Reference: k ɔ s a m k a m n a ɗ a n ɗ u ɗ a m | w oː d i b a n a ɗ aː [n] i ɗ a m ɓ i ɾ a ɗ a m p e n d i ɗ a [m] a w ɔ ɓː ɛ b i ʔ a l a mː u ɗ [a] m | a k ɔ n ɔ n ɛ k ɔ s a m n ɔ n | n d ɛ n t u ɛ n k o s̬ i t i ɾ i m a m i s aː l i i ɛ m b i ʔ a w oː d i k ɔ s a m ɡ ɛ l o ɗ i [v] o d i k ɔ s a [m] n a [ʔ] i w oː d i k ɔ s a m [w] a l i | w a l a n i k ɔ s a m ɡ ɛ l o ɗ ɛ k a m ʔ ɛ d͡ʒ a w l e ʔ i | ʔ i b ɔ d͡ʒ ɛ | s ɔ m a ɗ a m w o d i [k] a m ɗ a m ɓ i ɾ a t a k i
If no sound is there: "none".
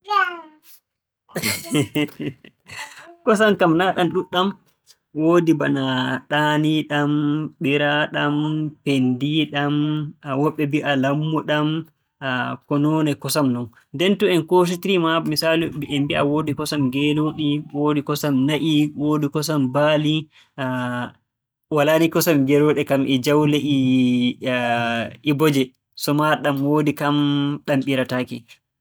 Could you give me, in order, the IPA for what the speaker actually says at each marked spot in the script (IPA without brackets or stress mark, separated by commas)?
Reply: n, m, a, w, m, ʔ, b, k